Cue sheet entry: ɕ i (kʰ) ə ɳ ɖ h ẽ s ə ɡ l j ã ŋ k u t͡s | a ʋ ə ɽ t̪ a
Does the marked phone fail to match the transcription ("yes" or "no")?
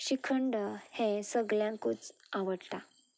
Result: no